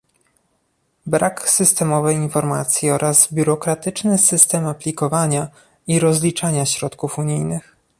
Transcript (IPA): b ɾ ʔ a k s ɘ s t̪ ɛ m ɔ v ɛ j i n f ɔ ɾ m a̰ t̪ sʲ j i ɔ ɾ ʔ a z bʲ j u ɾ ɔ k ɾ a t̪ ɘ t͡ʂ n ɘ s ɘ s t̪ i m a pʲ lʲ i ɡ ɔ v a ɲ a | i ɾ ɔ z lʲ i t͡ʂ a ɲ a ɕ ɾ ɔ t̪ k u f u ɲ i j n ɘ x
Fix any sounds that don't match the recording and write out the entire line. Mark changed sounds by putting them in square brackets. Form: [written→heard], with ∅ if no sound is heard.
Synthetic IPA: b ɾ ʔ a k s ɘ s t̪ ɛ m ɔ v ɛ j i n f ɔ ɾ m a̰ t̪ sʲ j i ɔ ɾ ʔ a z bʲ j u ɾ ɔ k ɾ a t̪ ɘ t͡ʂ n ɘ s ɘ s t̪ [i→ɛ] m a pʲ lʲ i [ɡ→k] ɔ v a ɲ a | i ɾ ɔ z lʲ i t͡ʂ a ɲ a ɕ ɾ ɔ t̪ k u f u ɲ i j n ɘ x